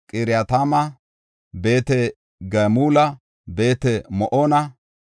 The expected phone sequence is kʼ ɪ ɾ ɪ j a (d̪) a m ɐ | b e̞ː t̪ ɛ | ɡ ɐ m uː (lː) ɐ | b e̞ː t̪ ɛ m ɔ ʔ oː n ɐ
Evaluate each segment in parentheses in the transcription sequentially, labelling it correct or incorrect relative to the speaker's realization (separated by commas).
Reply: incorrect, incorrect